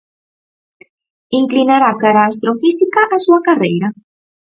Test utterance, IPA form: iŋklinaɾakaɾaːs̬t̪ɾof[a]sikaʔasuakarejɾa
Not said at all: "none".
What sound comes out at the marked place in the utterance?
i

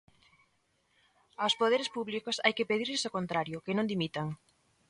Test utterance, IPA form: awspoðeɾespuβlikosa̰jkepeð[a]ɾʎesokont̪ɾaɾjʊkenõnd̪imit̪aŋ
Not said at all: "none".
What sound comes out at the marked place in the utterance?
i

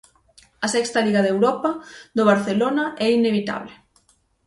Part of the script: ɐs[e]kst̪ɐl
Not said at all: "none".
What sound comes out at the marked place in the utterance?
ɛ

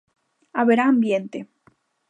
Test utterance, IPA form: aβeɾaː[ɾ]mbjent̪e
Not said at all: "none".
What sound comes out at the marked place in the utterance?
none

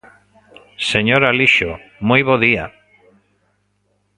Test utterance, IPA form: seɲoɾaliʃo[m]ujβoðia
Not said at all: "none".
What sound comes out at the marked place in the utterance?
m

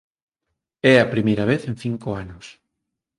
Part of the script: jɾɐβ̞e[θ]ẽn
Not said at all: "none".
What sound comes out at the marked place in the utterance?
θ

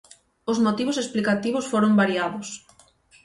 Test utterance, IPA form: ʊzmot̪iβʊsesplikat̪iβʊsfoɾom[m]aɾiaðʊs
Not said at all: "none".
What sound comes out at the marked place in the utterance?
b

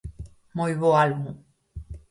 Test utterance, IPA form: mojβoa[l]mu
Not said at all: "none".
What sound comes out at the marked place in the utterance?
l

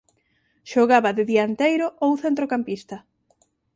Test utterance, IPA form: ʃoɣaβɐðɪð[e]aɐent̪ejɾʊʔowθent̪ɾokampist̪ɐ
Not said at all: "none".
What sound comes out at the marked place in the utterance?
i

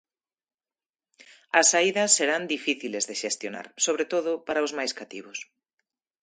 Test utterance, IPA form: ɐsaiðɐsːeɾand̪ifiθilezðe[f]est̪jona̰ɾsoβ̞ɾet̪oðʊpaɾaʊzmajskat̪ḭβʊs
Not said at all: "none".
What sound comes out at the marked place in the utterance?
ʃ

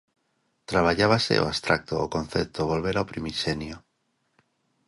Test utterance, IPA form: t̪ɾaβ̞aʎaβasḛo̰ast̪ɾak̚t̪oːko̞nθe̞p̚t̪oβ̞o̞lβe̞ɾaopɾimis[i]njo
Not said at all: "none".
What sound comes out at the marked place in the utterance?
e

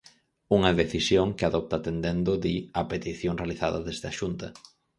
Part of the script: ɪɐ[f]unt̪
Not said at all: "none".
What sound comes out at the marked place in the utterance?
ʃ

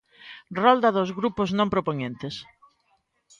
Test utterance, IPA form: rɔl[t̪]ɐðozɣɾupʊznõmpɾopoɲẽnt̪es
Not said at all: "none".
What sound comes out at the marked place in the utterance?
d̪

